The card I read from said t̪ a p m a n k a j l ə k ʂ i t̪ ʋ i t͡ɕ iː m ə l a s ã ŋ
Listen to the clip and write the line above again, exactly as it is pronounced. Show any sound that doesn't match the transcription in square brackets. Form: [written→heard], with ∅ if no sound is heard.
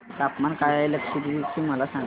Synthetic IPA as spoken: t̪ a p m a n k a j l ə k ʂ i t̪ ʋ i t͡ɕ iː m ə l a s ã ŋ